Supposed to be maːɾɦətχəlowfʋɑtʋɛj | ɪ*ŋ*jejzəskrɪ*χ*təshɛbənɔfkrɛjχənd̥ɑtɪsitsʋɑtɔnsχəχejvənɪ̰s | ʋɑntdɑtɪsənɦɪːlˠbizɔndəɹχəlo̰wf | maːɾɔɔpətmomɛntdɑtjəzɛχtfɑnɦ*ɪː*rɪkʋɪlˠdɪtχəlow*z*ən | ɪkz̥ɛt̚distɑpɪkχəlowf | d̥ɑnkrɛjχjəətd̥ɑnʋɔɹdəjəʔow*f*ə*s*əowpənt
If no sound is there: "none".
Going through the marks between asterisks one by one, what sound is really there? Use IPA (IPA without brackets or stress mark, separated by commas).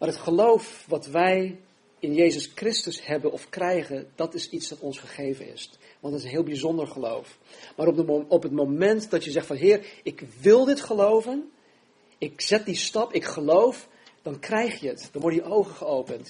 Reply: n, s, ɪː, v, χ, χ